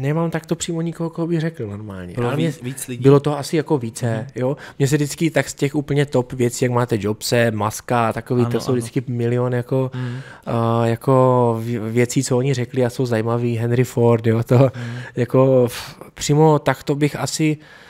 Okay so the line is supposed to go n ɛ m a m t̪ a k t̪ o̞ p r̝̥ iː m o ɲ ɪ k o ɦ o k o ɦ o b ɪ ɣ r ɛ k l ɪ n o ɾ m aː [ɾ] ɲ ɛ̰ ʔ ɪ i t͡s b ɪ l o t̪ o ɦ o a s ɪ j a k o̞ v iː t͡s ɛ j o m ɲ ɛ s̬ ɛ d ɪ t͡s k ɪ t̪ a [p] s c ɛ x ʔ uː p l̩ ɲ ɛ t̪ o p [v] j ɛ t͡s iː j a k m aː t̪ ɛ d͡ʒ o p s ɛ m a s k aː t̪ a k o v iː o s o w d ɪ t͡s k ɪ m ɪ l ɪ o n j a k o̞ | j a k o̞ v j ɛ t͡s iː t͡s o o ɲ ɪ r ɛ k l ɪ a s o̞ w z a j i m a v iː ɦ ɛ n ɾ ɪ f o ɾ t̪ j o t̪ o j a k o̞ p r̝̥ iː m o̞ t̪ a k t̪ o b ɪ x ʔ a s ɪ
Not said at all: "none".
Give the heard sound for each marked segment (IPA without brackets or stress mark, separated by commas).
l, k, v